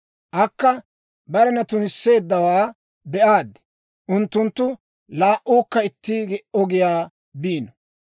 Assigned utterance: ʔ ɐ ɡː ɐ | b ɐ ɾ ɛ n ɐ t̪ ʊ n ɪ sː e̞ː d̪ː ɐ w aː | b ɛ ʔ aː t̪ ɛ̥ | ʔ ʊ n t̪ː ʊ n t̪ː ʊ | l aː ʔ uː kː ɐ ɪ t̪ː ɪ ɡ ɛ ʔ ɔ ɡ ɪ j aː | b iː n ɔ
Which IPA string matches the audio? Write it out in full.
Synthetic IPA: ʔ ɐ kː ɐ | b ɐ ɾ ɛ n ɐ t̪ ʊ n ɪ sː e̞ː d̪ː ɐ w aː | b ɛ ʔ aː d̪ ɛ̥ | ʔ ʊ n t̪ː ʊ n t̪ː ʊ | l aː ʔ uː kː ɐ ɪ t̪ː ɪ ɡ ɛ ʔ ɔ ɡ ɪ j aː | b iː n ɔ